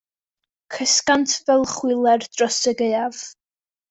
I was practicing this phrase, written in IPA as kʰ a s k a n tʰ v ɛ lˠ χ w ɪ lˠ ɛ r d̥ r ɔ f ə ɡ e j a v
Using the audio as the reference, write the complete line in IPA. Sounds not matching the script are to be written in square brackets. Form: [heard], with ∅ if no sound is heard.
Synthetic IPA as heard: kʰ [ə] s k a n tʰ v ɛ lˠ χ w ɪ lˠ ɛ r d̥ r ɔ [s] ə ɡ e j a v